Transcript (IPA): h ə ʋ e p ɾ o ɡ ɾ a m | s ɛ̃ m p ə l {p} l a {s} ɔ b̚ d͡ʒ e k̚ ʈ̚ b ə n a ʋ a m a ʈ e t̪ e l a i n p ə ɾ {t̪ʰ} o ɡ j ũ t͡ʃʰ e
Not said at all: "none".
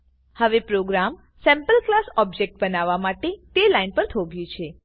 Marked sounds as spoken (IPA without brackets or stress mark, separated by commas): k, s, t̪ʰ